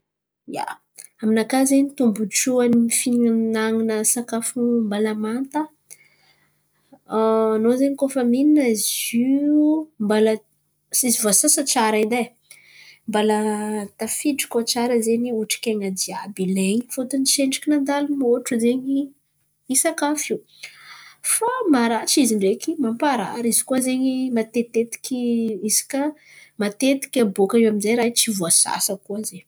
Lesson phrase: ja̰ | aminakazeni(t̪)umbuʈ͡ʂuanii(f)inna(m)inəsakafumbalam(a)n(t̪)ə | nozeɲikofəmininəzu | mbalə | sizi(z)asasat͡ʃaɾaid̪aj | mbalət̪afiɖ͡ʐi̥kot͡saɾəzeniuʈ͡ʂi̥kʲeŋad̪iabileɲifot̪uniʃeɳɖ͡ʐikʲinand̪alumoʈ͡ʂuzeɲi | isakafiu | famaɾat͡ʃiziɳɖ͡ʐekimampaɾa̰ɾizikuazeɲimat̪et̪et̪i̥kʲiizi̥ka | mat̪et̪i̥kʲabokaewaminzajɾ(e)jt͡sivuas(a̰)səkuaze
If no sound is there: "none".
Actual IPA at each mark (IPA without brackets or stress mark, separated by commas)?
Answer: t̪, f, ŋ, a, t̪, v, a, a̰